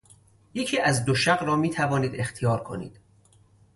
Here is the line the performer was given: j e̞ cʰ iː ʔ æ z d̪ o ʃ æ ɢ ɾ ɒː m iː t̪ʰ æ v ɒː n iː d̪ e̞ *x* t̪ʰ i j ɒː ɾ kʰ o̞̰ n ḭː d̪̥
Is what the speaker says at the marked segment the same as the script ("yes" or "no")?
yes